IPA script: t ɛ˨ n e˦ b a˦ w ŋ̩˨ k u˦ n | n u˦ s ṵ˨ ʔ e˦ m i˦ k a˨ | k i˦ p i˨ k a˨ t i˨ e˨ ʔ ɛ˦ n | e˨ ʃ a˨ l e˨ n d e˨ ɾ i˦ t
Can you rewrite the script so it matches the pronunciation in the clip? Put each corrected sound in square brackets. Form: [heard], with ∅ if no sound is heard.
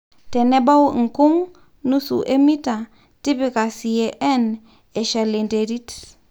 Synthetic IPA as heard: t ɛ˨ n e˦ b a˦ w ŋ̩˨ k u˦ [ŋ] | n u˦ s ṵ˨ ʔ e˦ m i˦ [t] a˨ | [t] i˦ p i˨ k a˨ [s] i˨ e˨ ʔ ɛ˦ n | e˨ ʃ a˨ l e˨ n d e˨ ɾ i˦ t